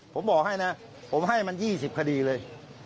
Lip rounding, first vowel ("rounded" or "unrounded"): rounded